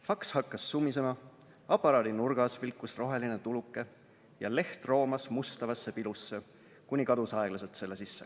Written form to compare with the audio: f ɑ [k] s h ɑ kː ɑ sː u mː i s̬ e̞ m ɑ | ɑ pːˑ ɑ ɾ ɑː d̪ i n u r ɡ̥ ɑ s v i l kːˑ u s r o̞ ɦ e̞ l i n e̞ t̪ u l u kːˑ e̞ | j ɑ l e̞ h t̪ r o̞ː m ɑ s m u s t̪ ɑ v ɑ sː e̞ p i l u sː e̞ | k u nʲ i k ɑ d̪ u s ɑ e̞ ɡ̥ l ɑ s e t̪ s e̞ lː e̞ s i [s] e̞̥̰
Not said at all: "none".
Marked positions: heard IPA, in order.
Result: k, sː

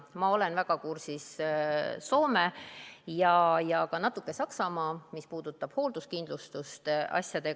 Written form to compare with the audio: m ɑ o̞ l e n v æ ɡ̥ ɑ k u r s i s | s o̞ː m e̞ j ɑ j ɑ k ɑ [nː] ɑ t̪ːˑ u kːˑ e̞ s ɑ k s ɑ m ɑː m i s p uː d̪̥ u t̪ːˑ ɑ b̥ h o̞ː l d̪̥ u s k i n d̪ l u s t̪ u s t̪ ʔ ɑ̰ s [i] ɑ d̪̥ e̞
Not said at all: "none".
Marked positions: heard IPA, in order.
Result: n, j

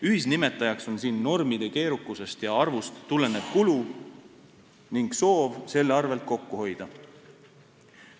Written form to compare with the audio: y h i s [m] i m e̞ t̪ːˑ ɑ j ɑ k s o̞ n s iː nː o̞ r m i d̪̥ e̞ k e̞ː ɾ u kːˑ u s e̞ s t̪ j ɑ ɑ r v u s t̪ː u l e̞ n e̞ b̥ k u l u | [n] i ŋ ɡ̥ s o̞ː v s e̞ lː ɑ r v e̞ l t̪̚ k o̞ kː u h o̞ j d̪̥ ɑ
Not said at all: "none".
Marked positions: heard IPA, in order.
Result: n, n

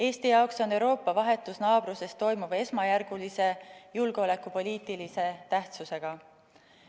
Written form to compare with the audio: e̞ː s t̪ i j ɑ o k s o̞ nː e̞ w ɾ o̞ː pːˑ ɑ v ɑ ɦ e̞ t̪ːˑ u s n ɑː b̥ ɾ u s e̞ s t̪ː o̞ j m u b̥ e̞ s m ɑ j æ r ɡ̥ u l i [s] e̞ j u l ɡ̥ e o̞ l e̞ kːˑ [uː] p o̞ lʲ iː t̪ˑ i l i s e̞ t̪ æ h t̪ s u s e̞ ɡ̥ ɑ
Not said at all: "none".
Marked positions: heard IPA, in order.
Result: s, u

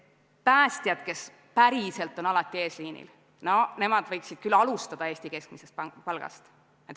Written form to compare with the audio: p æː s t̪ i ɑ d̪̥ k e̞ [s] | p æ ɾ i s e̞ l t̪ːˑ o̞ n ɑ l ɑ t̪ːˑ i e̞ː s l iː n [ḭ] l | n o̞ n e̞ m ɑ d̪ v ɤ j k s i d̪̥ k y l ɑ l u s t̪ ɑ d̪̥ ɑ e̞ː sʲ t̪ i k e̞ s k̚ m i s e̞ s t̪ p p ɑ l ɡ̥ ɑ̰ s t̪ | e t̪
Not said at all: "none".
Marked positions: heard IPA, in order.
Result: s, ḭ

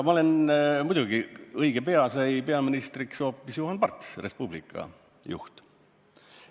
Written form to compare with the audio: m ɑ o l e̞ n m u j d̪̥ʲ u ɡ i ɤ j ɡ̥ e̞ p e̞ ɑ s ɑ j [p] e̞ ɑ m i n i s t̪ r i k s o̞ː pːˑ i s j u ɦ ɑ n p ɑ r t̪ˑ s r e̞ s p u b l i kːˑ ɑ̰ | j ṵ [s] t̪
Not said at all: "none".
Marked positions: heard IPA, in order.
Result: p, h

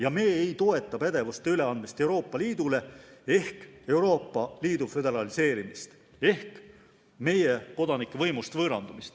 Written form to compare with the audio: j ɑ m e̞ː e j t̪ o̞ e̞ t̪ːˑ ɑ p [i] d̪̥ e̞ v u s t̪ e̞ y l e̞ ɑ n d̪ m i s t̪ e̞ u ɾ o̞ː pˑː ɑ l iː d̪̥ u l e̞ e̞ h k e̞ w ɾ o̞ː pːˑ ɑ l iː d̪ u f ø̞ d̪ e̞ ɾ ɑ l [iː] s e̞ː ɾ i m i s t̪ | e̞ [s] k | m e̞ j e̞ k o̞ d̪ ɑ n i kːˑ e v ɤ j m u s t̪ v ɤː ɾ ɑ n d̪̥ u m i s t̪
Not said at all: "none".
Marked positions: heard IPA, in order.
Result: æ, i, h

